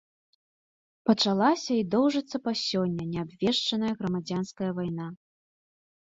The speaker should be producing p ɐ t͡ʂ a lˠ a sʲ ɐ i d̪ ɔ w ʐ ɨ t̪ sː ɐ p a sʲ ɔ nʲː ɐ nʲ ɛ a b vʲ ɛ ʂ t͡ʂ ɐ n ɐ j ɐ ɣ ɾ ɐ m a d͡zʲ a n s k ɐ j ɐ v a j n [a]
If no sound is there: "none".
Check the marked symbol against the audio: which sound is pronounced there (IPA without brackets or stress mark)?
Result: a